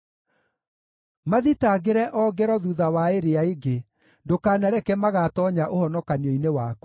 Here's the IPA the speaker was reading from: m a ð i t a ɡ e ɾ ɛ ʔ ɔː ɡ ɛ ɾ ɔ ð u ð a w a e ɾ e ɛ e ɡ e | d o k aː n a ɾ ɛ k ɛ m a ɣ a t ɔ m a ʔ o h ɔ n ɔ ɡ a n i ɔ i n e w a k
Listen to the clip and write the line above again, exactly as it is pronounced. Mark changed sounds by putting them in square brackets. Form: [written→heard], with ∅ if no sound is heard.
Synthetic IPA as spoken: m a ð i t a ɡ e ɾ ɛ ʔ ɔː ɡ ɛ ɾ ɔ ð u ð a w a e ɾ e [ɛ→a] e ɡ e | d o k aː n a ɾ ɛ k ɛ m a ɣ a t ɔ [m→ɲ] a ʔ o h ɔ n ɔ [ɡ→k] a n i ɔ i n e w a k